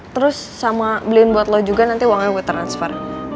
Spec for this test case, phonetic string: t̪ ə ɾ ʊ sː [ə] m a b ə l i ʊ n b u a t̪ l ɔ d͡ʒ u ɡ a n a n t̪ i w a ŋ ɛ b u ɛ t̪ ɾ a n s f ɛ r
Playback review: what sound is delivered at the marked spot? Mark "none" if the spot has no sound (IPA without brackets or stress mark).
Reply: a